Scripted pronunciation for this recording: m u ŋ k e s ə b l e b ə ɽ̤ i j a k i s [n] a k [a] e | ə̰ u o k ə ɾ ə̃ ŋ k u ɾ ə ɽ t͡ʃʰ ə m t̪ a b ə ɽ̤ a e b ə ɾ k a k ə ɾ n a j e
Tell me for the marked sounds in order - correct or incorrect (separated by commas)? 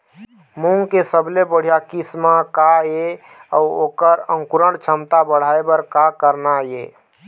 incorrect, correct